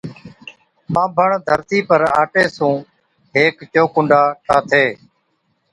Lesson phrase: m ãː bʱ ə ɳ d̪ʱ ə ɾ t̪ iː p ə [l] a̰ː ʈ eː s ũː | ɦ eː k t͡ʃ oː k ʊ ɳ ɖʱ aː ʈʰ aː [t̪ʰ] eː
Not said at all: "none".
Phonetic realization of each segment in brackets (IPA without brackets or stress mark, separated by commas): ɾ, t̪ʰ